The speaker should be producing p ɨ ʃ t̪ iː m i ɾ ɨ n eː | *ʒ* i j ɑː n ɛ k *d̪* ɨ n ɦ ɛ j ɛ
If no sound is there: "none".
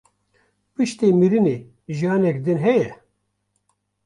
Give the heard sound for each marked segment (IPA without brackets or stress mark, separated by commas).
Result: ʒ, d̪